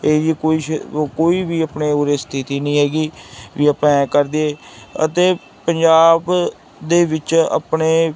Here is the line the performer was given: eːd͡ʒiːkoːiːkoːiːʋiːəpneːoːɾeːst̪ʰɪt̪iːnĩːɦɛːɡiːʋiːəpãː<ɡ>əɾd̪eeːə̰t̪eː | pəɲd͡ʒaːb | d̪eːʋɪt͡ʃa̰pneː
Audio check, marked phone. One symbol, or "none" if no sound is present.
k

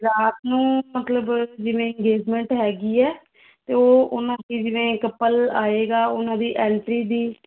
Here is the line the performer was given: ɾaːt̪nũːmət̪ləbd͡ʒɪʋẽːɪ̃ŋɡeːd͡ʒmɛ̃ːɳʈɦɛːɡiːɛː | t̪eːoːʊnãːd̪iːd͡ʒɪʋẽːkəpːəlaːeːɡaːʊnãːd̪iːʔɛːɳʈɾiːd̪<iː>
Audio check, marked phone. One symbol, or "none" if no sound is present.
iː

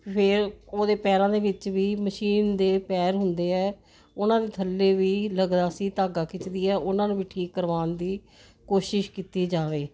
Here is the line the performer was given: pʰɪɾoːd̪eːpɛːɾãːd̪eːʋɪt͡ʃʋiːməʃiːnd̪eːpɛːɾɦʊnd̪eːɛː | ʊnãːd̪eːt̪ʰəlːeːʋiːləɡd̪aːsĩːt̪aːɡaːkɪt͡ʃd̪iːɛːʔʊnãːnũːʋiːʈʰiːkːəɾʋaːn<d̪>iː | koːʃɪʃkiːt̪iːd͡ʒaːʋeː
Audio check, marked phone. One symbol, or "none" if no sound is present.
d̪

